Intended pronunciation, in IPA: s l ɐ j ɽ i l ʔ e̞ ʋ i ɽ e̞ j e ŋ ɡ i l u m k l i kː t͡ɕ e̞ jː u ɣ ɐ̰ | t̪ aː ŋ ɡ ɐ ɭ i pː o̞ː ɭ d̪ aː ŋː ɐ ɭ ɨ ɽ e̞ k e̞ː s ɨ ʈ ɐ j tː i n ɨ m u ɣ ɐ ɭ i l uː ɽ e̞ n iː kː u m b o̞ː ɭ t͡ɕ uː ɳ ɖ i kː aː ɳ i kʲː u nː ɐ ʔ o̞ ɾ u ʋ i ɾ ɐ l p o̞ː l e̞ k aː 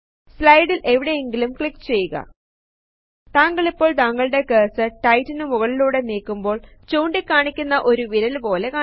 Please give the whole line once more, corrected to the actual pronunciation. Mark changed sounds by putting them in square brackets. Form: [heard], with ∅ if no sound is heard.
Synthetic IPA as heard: s l ɐ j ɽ i l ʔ e̞ ʋ i ɽ e̞ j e ŋ ɡ i l u m k [ɭ] i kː t͡ɕ e̞ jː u ɣ ɐ̰ | t̪ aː ŋ ɡ ɐ ɭ i pː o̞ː ɭ [t̪] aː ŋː ɐ ɭ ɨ ɽ e̞ k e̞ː s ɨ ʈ ɐ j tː i n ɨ m u ɣ ɐ ɭ i l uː ɽ e̞ n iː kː u m b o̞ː ɭ t͡ɕ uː ɳ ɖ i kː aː ɳ i kʲː u nː ɐ ʔ o̞ ɾ u ʋ i ɾ ɐ l p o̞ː l e̞ k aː

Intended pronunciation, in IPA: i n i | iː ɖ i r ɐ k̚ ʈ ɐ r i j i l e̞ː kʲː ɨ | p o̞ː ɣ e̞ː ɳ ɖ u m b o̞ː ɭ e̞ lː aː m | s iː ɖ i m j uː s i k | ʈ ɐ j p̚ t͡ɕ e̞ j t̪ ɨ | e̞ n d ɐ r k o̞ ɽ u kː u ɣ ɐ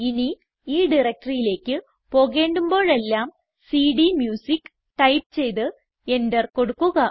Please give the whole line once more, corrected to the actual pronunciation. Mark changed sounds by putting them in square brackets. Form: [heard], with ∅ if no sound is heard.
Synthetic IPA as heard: i n i | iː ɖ i r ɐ k̚ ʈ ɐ r i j i l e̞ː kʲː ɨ | p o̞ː ɣ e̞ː ɳ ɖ u m b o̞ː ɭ e̞ lː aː m | s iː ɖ i m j uː s i k | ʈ ɐ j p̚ t͡ɕ e̞ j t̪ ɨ | e̞ n d ɐ r k o̞ ɽ u kː u ɣ ɐ

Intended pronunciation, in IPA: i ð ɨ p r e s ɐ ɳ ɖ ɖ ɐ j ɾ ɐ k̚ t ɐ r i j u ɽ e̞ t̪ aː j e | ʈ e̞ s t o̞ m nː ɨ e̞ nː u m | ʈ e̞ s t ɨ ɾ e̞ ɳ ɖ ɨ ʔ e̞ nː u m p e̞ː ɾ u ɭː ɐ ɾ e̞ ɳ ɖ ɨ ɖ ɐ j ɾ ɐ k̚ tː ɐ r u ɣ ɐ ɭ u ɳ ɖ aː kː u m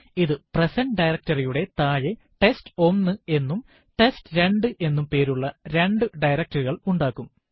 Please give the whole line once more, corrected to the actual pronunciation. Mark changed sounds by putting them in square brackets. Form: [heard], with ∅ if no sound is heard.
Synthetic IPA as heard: i ð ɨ p r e s ɐ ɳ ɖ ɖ ɐ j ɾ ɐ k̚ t ɐ r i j u ɽ e̞ t̪ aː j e | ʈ e̞ s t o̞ m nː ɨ e̞ nː u m | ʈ e̞ s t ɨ ɾ e̞ ɳ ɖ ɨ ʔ e̞ nː u m p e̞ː ɾ u ɭː ɐ ɾ e̞ ɳ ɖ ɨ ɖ ɐ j ɾ ɐ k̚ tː ɐ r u ɣ ɐ ɭ u ɳ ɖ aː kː u m

